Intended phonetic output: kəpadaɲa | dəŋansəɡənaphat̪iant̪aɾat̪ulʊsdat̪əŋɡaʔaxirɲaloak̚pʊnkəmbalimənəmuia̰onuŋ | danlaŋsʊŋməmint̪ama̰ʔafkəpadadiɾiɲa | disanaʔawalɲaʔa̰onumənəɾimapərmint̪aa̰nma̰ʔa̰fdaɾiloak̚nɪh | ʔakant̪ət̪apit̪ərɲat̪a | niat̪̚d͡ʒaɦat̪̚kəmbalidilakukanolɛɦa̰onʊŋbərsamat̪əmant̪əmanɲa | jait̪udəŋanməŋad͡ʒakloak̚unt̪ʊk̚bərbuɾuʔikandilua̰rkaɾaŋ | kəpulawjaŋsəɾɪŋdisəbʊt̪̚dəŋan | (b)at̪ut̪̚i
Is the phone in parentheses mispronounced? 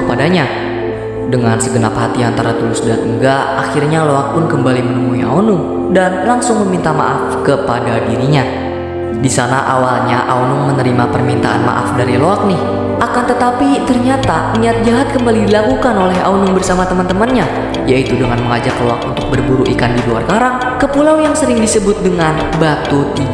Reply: no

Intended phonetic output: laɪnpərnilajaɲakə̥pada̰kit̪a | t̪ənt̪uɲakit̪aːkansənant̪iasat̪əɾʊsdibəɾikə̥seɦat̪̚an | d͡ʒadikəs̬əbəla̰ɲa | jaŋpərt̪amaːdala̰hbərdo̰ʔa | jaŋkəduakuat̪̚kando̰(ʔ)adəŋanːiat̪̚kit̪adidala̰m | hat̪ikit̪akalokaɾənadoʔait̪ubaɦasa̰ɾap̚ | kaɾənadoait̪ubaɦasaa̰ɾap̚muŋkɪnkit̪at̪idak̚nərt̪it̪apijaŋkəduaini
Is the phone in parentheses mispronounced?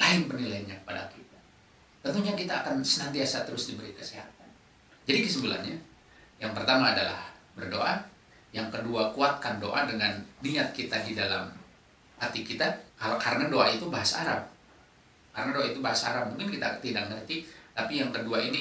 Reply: no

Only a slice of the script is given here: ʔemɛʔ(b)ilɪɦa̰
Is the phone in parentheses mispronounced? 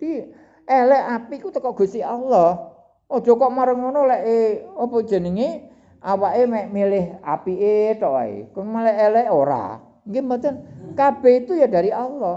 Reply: yes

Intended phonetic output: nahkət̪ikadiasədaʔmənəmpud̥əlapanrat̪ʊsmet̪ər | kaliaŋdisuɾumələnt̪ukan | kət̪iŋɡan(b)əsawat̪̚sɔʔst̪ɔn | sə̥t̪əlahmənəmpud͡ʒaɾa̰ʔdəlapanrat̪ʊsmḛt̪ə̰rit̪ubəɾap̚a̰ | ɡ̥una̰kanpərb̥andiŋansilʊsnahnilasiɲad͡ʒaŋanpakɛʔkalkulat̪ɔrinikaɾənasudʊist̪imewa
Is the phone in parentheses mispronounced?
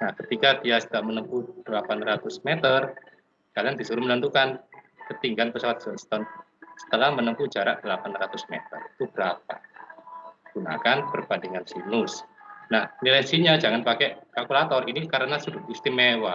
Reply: yes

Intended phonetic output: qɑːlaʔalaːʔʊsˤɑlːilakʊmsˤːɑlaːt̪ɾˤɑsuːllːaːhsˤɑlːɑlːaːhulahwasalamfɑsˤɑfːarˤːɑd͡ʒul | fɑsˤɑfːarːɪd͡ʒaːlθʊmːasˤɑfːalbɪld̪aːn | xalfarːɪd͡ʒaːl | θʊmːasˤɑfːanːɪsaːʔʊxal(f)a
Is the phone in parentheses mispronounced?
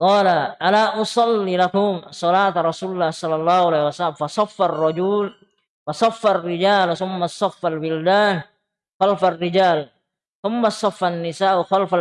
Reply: no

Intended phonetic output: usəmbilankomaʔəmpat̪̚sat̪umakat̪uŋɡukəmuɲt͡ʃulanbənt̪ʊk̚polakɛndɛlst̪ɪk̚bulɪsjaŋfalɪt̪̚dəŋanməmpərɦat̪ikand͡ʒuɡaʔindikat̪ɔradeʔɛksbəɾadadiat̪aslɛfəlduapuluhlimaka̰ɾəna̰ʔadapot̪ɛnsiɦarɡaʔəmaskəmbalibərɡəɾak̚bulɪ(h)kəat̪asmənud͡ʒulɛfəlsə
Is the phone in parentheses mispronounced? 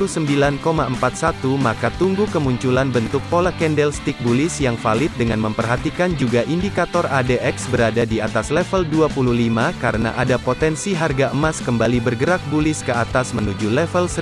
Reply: yes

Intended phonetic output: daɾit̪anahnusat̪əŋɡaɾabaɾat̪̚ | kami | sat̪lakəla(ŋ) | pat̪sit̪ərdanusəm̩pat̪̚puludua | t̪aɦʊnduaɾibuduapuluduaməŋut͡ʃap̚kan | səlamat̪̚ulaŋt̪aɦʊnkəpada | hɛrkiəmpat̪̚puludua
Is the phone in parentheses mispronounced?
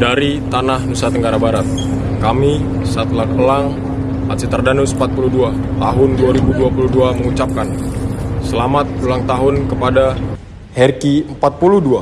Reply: no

